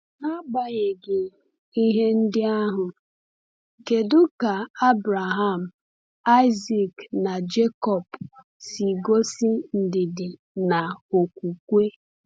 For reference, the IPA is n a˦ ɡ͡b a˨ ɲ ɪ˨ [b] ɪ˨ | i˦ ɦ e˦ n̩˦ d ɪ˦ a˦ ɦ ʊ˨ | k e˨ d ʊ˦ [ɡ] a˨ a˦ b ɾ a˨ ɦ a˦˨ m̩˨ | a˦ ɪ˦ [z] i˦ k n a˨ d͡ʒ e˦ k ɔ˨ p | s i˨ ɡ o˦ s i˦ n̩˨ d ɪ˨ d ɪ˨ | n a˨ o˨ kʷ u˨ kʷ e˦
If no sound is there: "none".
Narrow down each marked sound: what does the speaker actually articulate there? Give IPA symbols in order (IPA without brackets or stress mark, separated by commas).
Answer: ɡ, k, z